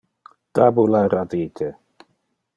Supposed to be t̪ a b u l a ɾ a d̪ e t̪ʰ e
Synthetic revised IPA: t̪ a b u l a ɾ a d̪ i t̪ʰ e